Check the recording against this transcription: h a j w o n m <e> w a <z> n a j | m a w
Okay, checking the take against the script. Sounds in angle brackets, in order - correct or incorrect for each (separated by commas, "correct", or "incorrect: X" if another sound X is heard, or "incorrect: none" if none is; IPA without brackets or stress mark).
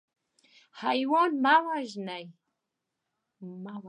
incorrect: a, incorrect: ʒ